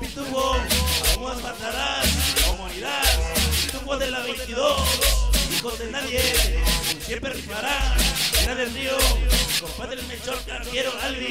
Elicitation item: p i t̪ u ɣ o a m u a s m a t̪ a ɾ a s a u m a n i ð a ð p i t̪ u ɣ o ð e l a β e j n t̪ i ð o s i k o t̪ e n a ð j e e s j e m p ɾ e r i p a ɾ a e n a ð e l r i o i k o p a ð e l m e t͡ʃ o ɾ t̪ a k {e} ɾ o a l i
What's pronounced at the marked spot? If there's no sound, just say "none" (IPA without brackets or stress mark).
e